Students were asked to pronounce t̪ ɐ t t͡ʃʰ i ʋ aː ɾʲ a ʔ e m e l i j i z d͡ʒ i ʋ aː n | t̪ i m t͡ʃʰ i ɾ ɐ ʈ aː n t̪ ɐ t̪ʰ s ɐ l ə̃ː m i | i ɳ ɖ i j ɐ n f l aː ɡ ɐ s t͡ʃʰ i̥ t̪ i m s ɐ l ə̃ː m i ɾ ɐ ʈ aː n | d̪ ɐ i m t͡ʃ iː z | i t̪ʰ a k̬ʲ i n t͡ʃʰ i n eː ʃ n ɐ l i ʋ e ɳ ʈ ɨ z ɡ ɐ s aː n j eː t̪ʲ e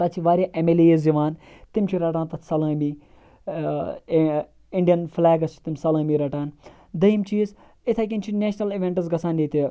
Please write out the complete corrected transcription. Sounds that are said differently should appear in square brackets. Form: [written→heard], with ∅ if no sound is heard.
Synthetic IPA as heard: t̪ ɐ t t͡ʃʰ i ʋ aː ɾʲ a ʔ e m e l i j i z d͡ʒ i ʋ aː n | t̪ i m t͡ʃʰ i ɾ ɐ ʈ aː n t̪ ɐ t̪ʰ s ɐ l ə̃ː m i | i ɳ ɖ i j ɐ n f l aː ɡ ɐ s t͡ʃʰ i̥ t̪ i m s ɐ l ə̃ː m i ɾ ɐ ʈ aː n | d̪ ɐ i m t͡ʃ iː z | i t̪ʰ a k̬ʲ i n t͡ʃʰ i n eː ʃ n ɐ l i ʋ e ɳ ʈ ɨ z ɡ ɐ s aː n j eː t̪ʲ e